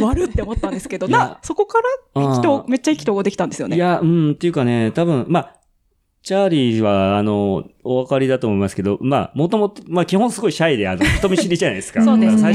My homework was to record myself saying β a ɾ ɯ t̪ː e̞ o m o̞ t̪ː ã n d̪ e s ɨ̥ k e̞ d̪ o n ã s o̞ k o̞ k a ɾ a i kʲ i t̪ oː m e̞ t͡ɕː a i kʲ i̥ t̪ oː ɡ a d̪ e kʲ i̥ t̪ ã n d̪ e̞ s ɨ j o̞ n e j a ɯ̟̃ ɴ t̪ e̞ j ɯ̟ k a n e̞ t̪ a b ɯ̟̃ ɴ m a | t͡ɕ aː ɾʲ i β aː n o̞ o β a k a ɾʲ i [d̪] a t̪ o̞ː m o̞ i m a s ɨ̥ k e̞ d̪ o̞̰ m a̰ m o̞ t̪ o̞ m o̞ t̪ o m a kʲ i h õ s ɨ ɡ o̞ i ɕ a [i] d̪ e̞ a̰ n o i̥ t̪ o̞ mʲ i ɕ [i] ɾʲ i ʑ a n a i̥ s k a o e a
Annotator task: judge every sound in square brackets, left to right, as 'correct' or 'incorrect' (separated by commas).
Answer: correct, correct, correct